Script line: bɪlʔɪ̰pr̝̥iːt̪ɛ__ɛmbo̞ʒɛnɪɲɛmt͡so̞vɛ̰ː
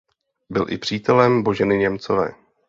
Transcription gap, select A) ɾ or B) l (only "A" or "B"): B